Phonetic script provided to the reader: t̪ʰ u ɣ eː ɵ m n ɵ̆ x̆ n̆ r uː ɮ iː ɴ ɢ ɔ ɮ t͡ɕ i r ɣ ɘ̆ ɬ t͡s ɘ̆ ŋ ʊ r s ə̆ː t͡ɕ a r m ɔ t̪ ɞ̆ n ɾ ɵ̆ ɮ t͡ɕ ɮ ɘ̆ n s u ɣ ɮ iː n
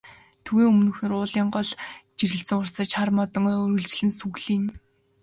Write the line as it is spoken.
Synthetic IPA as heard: t̪ʰ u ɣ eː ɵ m n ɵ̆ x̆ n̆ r ʊː ɮ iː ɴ ɢ ɔ ɮ t͡ɕ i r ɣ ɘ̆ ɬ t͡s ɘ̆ ŋ ʊ r s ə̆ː t͡ɕ a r m ɔ t̪ ɞ̆ ŋ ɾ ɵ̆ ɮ t͡ɕ ɮ ɘ̆ n s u ɣ ɮ iː n